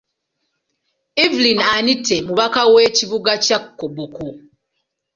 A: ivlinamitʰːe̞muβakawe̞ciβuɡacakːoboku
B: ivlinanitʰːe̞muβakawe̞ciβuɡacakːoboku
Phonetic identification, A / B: B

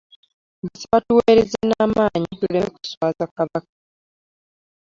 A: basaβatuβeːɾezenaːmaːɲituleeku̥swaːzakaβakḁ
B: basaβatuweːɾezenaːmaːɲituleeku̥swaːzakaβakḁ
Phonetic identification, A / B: B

